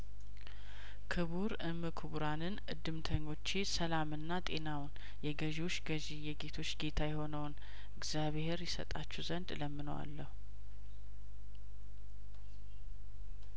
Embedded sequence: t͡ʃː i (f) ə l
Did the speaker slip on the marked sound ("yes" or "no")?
yes